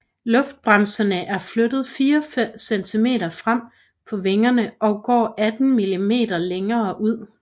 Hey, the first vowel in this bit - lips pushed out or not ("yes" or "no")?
yes